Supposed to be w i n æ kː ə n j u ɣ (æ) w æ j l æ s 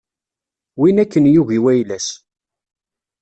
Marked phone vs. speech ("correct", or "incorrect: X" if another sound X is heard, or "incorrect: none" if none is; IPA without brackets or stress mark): incorrect: i